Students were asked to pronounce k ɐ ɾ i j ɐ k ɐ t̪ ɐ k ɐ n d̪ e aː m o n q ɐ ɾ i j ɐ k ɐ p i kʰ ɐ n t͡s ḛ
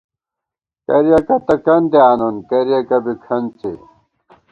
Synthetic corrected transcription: k ɐ ɾ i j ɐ k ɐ t̪ ɐ k ɐ n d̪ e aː n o n k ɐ ɾ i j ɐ k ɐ b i kʰ ɐ n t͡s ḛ